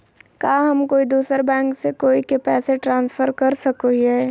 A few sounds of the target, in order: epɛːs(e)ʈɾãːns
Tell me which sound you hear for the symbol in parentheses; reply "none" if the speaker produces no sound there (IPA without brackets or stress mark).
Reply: e